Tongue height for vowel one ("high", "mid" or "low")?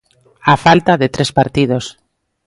low